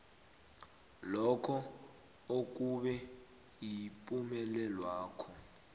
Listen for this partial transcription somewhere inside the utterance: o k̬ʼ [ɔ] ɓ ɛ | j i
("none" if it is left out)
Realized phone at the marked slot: u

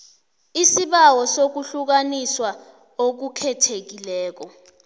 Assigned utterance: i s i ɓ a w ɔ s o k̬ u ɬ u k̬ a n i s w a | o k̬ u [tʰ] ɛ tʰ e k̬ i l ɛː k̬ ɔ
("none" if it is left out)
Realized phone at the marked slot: kʰ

